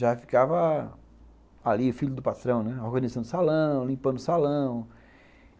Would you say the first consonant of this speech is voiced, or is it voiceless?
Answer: voiced